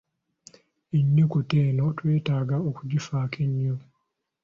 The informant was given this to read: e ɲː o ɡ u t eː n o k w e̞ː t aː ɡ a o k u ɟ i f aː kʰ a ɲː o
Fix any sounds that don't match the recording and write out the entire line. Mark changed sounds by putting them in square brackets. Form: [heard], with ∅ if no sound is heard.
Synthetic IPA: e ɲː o [k] u t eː n o [t] w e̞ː t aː ɡ a o k u ɟ i f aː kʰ [e] ɲː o